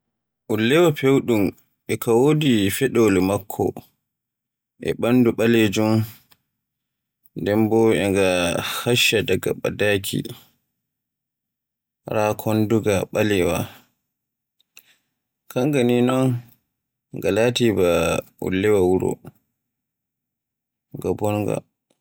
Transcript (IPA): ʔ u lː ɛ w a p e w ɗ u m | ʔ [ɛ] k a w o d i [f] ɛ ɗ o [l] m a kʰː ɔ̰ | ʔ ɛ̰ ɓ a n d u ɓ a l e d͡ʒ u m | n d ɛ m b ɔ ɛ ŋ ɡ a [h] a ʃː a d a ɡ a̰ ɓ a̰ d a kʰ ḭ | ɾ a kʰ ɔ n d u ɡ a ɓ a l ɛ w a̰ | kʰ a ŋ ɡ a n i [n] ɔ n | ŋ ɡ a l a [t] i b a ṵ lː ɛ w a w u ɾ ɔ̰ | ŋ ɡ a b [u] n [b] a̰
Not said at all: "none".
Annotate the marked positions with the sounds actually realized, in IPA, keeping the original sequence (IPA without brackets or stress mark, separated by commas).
ɛ, f, l, h, n, t, ɔ, ɡ